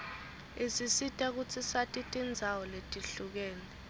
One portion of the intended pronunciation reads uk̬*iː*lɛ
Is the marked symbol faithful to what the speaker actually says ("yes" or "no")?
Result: no